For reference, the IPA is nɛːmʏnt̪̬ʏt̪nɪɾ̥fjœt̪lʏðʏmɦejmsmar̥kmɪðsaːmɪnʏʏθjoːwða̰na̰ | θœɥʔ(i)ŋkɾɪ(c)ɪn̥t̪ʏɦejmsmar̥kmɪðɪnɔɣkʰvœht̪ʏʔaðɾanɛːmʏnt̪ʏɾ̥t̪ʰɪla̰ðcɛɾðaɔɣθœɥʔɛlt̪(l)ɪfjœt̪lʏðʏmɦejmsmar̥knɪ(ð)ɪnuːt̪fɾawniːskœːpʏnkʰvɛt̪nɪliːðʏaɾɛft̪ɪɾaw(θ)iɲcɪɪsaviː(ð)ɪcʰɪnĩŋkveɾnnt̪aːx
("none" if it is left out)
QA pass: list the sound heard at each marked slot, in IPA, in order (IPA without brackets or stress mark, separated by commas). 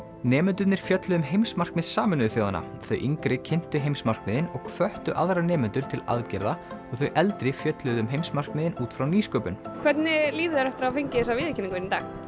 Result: i, cʰ, ɾ, ð, f, ð